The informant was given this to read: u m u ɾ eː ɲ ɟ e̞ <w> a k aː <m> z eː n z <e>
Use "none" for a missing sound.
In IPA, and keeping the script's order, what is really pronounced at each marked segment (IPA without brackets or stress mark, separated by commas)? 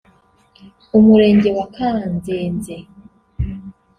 w, n, e